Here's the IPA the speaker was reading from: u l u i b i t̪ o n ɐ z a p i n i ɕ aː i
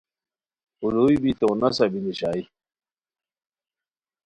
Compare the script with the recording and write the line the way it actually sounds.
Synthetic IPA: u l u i b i t̪ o n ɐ s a b i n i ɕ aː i

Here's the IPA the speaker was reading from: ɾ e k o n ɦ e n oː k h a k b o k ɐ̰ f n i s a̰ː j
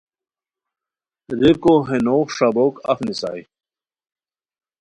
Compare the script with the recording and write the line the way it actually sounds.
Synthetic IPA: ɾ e k o ɦ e n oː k ʂ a b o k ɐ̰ f n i s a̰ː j

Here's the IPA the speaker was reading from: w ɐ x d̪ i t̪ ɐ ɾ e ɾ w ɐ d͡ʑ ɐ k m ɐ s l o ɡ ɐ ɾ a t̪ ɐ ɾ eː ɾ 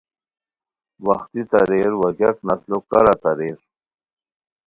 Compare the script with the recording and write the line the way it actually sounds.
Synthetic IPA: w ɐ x t̪ i t̪ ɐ ɾ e ɾ w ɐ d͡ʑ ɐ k n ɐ s l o k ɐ ɾ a t̪ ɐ ɾ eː ɾ

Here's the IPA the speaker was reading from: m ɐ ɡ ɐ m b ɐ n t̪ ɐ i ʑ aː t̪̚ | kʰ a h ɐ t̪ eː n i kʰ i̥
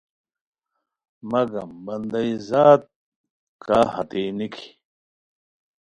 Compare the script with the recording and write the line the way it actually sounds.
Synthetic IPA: m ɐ ɡ ɐ m b ɐ n d̪ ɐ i z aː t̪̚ | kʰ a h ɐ t̪ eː n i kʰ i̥

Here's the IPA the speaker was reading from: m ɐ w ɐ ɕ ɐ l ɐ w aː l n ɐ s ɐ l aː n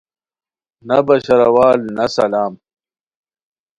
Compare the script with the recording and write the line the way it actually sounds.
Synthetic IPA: n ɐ b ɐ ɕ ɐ ɾ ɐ w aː l n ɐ s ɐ l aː m

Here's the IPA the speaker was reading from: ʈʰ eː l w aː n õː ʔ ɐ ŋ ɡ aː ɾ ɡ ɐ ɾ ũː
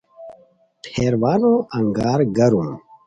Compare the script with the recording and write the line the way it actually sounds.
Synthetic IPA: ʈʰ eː ɾ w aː n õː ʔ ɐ ŋ ɡ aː ɾ ɡ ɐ ɾ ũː

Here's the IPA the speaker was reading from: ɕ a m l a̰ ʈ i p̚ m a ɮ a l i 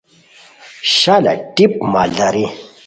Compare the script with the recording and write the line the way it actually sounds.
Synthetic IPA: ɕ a l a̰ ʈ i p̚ m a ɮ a ɾ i

